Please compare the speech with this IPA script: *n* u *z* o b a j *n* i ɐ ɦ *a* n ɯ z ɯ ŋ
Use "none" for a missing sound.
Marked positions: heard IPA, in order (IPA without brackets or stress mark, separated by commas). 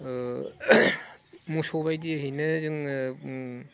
m, s, d, i